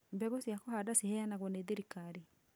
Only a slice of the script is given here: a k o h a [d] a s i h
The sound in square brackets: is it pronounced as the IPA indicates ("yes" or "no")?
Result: yes